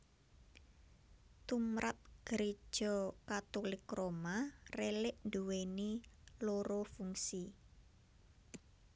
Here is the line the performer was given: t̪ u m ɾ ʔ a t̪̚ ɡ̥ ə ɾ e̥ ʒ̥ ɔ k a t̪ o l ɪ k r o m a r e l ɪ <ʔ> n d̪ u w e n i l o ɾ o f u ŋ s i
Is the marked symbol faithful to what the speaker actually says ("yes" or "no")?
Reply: yes